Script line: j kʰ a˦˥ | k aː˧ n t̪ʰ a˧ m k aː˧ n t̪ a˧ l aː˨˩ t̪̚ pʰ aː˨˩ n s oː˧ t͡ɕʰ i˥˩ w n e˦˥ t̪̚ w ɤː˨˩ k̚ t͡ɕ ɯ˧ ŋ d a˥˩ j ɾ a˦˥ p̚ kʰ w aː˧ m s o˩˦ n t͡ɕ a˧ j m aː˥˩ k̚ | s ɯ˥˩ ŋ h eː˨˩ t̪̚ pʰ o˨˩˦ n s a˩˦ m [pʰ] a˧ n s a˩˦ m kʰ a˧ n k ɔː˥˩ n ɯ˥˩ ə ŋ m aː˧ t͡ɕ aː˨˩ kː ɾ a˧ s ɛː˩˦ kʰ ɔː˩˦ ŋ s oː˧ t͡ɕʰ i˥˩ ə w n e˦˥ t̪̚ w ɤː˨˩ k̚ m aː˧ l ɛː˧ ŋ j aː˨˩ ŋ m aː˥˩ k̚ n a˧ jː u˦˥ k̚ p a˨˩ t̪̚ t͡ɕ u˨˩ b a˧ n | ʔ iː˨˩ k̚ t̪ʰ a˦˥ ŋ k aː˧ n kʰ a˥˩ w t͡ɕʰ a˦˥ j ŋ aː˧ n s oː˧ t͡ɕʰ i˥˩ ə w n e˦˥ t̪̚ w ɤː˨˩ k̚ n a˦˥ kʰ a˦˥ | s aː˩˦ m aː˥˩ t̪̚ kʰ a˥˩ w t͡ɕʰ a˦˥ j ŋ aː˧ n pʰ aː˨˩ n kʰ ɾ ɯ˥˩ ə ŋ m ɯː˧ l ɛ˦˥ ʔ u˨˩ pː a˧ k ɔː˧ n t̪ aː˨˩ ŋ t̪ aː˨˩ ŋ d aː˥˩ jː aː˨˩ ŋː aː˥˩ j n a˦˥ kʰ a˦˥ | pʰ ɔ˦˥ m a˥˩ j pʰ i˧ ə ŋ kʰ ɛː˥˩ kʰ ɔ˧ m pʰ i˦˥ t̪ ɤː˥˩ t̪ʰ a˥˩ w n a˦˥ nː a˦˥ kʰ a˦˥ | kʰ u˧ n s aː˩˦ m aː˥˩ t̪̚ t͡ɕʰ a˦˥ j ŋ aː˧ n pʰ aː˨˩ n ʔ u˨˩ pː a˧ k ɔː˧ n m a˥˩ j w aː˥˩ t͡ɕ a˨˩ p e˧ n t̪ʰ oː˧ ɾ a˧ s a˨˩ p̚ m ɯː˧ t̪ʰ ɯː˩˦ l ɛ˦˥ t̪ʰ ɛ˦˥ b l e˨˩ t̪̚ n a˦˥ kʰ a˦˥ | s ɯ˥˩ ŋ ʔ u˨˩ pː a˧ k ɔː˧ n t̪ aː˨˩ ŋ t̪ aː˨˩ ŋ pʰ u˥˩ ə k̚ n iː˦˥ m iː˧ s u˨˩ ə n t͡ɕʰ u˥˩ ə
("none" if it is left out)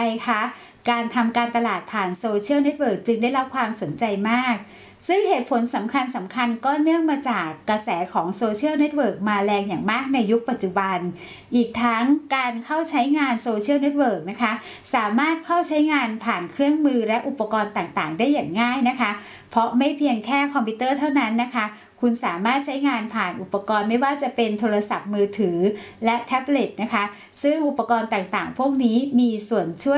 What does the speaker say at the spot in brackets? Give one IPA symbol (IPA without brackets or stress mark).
kʰ